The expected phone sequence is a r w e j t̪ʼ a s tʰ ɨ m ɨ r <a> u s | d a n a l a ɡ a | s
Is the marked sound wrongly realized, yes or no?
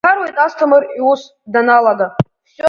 yes